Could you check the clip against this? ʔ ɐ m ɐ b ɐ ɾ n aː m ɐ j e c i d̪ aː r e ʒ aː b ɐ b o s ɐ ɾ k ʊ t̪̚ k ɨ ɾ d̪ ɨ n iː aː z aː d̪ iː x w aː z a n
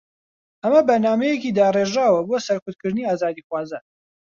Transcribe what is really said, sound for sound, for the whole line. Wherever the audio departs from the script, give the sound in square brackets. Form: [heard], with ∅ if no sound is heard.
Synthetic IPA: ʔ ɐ m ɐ b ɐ ɾ n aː m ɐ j e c i d̪ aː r e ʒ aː [w] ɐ b o s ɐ ɾ k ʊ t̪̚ k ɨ ɾ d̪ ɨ n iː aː z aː d̪ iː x w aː z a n